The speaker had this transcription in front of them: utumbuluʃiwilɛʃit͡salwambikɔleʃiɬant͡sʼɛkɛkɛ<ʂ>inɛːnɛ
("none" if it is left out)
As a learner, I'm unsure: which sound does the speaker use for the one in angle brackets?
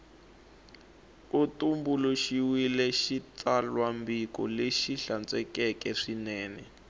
ʂ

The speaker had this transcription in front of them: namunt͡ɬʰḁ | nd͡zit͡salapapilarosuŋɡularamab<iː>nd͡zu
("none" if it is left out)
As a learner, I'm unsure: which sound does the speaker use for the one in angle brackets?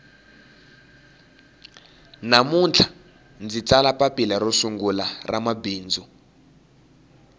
iː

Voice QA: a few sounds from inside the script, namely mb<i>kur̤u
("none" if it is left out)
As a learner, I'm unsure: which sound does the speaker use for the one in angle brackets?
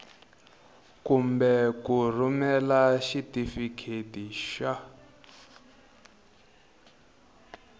ɛ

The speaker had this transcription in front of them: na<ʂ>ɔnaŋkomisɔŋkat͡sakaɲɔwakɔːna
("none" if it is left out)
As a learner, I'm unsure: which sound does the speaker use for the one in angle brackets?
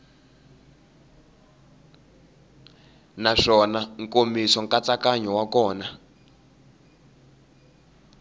ʂ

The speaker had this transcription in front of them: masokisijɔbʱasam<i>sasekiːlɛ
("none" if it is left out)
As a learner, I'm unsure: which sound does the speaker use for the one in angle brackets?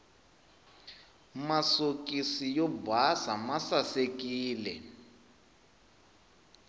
a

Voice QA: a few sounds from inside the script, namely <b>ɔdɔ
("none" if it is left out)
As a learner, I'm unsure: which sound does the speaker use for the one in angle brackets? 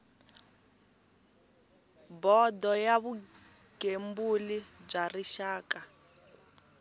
b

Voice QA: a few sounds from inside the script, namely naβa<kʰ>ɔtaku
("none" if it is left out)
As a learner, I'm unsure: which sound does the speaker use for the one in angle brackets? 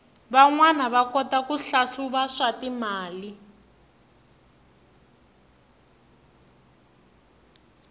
k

